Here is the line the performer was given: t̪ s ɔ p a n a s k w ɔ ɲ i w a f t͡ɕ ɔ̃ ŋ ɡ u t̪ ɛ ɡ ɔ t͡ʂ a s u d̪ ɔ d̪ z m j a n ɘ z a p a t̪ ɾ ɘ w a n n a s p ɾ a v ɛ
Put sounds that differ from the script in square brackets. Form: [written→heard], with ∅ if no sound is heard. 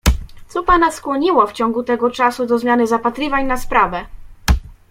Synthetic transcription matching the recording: t̪ s ɔ p a n a s k w ɔ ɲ i w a f t͡ɕ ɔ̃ ŋ ɡ u t̪ ɛ ɡ ɔ t͡ʂ a s u d̪ ɔ [d̪→∅] z m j a n ɘ z a p a t̪ ɾ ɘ [w→v] a [n→ɲ] n a s p ɾ a v ɛ